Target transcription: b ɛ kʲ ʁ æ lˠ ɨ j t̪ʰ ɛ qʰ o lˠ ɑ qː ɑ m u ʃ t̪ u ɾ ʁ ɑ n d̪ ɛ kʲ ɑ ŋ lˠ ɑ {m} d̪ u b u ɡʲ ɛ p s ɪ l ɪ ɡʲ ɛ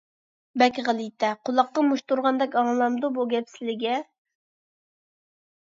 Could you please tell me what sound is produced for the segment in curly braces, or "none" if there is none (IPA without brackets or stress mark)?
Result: m